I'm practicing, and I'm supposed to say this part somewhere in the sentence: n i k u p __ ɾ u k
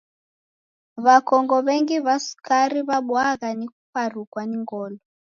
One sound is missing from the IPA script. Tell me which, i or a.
a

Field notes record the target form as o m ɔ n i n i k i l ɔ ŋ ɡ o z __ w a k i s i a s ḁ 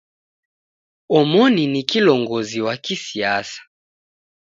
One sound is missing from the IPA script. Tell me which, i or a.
i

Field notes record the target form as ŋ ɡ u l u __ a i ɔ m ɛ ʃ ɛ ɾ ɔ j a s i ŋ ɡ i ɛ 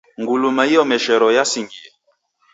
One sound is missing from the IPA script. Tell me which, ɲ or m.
m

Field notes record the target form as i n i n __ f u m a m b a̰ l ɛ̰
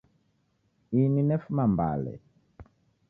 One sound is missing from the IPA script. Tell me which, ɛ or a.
ɛ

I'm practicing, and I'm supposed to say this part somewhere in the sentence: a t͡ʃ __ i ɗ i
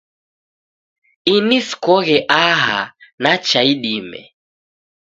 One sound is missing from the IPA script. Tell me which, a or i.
a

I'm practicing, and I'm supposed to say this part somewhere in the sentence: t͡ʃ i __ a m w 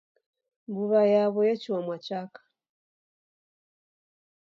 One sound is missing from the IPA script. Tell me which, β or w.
w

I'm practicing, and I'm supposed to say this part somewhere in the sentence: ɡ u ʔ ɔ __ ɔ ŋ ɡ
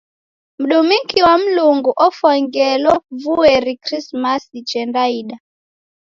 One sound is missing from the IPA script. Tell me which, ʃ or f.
f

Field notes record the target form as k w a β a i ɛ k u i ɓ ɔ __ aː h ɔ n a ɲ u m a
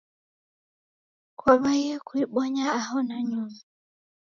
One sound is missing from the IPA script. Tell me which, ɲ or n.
ɲ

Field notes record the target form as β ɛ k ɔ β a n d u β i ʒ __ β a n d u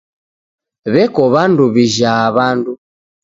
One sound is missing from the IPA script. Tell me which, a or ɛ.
a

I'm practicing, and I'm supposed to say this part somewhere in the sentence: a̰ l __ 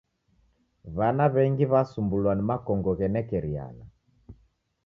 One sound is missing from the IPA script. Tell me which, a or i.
a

